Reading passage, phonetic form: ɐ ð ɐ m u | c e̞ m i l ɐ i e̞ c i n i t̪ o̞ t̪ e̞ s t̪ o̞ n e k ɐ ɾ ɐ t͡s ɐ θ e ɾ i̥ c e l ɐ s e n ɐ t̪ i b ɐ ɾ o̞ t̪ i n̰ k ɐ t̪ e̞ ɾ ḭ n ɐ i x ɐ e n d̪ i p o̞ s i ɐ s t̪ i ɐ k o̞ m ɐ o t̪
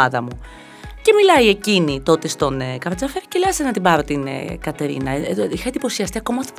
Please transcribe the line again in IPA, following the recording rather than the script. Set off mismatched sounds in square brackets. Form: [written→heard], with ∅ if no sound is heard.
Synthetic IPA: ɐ ð ɐ m u | c e̞ m i l ɐ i e̞ c i n i t̪ o̞ t̪ e̞ s t̪ o̞ n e k ɐ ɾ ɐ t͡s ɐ [θ→f] e ɾ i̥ c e l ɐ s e n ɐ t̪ i b ɐ ɾ o̞ t̪ i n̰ k ɐ t̪ e̞ ɾ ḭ n ɐ i x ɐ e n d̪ i p o̞ s i ɐ s t̪ i ɐ k o̞ m ɐ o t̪